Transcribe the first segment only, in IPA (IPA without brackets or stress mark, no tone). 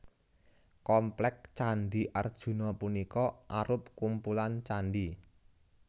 k